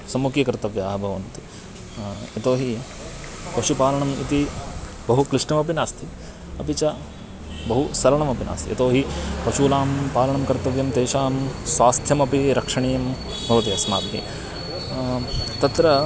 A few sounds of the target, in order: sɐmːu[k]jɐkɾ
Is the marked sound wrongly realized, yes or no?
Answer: no